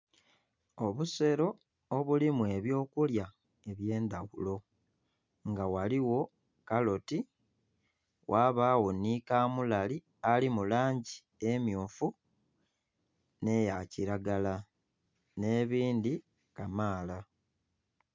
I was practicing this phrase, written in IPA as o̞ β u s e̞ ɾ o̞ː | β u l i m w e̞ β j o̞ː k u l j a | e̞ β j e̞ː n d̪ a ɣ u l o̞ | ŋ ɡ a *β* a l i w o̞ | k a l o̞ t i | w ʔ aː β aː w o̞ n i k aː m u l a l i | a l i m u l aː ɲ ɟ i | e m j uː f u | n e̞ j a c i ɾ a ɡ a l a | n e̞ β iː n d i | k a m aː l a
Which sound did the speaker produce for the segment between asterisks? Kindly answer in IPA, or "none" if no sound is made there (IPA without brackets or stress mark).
w